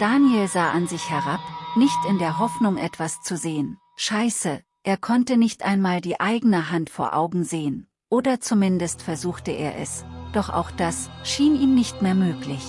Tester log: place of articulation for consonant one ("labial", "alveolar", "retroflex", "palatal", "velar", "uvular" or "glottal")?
alveolar